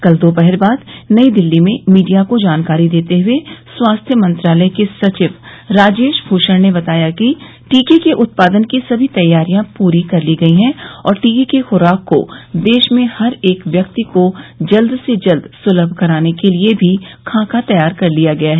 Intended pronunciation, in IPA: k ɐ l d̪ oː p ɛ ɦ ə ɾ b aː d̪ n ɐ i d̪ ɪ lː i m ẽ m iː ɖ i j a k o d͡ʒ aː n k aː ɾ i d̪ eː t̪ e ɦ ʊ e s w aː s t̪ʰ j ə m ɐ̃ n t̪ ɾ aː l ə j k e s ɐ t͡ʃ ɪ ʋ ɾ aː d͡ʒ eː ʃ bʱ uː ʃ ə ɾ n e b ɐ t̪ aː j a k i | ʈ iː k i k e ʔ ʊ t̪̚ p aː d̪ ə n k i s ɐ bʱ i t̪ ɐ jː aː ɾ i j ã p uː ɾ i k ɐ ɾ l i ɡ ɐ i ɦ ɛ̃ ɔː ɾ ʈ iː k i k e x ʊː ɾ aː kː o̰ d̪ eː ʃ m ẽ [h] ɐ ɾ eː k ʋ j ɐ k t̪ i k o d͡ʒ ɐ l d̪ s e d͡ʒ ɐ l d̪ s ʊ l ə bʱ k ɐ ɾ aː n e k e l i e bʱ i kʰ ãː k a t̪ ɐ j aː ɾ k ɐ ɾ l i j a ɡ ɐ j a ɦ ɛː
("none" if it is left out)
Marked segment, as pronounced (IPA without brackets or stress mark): h